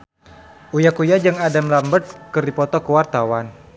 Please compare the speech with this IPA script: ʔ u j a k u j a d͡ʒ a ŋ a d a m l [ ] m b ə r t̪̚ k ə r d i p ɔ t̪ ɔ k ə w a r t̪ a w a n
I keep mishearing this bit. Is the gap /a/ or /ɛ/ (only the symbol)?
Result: a